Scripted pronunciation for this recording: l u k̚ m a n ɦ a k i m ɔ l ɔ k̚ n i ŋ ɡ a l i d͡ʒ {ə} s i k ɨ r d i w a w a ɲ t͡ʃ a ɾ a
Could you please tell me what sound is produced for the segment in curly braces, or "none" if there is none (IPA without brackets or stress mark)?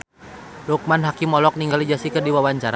a